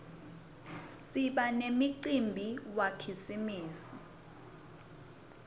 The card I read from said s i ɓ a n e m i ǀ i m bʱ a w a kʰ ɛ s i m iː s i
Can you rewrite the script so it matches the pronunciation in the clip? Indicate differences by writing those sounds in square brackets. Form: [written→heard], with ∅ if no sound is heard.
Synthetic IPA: s i ɓ a n e m i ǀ i m bʱ [a→i] w a kʰ [ɛ→i] s i m iː s i